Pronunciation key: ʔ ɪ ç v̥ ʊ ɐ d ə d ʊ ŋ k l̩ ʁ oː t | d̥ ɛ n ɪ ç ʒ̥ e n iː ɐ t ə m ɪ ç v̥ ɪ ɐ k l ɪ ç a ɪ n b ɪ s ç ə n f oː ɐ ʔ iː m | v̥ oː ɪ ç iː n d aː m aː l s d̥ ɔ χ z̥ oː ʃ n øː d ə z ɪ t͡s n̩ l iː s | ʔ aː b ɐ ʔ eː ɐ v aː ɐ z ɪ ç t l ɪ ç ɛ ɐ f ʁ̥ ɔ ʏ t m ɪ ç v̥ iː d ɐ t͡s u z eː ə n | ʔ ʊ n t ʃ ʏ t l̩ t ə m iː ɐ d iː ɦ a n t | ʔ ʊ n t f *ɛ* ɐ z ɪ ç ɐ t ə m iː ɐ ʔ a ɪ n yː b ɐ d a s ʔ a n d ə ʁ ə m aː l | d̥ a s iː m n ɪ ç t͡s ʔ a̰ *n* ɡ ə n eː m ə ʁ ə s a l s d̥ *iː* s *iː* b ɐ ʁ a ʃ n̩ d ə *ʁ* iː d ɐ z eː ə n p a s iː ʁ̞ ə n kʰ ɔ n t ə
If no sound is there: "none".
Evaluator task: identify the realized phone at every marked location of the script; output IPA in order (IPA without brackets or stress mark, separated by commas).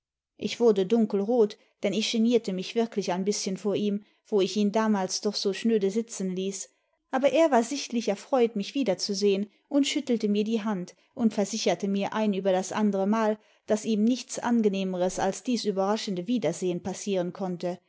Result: ɛ, n, iː, yː, v